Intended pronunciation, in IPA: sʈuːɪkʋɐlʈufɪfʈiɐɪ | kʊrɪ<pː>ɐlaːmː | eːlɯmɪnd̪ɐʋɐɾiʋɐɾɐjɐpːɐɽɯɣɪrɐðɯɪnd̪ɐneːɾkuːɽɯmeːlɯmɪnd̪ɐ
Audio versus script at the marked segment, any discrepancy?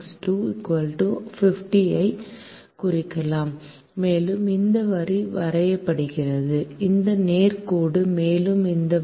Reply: yes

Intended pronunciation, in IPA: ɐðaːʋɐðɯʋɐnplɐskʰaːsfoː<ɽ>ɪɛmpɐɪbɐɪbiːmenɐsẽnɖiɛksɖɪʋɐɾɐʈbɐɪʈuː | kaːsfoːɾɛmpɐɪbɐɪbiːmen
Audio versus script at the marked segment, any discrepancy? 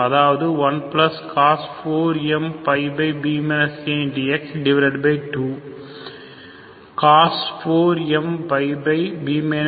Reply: yes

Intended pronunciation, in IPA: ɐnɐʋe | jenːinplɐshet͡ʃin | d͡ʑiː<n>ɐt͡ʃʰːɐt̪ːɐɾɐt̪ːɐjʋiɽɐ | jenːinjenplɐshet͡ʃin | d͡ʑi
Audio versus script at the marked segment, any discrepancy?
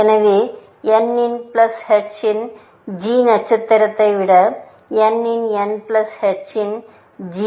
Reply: no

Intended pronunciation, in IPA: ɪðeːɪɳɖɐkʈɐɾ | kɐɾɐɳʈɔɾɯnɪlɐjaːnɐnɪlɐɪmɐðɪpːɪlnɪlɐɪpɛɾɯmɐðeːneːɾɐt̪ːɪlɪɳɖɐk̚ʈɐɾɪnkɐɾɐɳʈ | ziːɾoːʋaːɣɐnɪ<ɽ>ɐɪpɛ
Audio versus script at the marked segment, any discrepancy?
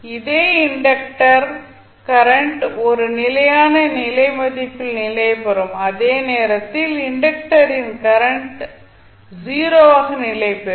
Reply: yes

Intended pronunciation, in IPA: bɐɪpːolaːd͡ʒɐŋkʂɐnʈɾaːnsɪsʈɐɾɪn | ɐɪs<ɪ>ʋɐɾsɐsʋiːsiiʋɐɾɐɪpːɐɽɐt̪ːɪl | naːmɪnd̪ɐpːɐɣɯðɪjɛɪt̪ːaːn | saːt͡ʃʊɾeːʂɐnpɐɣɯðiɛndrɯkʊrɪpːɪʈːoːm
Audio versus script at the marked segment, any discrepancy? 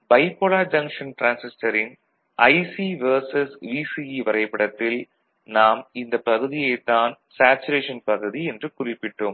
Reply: yes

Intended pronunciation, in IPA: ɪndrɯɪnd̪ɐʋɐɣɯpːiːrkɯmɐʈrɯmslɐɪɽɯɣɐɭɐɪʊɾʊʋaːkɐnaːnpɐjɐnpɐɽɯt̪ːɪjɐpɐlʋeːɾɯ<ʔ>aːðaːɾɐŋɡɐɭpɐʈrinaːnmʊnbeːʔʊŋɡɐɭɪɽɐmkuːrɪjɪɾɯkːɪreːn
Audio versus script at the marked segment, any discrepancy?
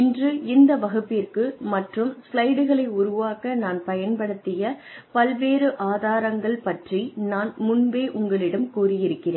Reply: no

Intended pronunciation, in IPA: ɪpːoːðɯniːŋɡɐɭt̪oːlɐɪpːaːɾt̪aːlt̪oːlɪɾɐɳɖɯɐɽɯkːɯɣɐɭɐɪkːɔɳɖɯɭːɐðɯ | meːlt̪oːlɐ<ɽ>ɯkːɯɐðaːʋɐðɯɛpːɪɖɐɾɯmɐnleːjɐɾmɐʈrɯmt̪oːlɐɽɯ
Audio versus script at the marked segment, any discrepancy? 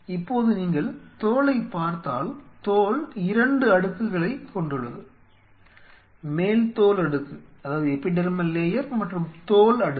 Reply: no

